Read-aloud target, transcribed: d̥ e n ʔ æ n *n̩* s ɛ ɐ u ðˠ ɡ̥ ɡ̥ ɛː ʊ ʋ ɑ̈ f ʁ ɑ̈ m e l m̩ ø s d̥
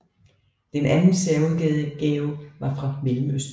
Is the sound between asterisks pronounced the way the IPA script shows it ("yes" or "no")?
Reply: yes